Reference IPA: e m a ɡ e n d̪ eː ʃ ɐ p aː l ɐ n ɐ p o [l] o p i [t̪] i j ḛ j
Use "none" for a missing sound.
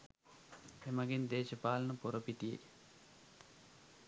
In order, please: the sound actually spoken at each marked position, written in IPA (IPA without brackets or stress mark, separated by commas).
ɾ, t̪